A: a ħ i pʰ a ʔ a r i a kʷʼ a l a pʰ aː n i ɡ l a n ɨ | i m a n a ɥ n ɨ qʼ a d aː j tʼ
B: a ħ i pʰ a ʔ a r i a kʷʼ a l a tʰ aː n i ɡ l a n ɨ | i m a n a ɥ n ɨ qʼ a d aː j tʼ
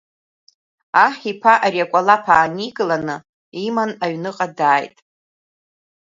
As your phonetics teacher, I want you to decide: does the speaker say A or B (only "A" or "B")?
A